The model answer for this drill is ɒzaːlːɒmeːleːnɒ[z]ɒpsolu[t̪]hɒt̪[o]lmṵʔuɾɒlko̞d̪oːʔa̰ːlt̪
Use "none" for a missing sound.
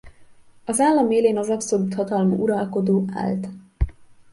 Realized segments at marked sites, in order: z, t̪, ɒ

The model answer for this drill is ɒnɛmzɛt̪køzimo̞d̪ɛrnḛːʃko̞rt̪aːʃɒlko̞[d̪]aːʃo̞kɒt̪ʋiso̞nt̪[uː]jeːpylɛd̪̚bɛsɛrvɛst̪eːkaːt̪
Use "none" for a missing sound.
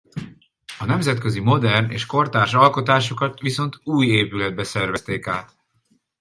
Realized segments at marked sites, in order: t̪, uː

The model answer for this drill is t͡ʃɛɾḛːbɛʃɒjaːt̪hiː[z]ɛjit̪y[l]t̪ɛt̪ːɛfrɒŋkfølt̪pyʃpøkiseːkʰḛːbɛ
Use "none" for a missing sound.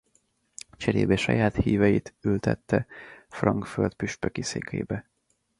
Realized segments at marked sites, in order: v, l

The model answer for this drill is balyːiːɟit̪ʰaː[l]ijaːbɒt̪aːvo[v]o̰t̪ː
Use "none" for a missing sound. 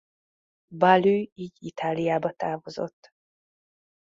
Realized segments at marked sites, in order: l, z

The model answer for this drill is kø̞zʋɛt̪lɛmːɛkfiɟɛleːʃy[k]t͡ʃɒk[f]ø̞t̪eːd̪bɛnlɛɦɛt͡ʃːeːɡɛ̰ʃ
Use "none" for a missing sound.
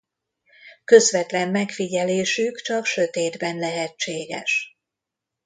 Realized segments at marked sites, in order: k, ʃ

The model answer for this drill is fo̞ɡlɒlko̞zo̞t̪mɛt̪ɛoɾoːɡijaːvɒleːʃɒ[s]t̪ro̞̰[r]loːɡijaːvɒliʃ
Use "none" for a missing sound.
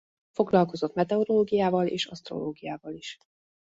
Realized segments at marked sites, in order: s, none

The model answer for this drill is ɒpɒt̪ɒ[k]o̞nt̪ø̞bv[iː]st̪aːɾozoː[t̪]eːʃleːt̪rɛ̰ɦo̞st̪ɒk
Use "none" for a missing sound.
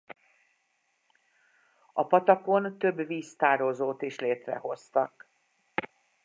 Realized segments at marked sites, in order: k, iː, t̪

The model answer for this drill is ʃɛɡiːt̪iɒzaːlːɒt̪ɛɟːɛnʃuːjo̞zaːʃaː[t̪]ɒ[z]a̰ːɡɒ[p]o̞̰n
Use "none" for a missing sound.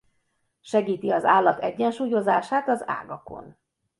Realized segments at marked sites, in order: t̪, z, k

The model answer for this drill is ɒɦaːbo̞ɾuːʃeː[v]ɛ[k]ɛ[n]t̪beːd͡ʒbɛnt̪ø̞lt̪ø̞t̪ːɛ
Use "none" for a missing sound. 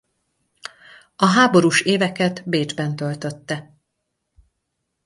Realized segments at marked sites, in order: v, k, none

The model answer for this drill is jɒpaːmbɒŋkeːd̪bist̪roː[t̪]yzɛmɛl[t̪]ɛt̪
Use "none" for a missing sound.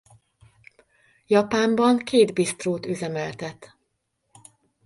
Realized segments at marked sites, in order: t̪, t̪

